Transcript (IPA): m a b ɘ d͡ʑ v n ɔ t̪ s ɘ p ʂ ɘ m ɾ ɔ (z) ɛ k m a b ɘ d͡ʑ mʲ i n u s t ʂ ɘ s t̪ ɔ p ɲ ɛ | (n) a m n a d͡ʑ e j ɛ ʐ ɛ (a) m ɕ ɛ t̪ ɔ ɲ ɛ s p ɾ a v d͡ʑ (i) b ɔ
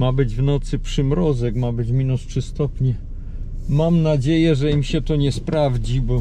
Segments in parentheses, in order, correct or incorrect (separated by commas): correct, incorrect, incorrect, correct